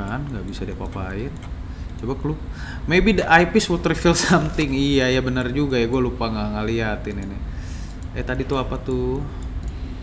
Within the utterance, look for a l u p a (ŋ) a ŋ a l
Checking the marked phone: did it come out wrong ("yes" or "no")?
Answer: no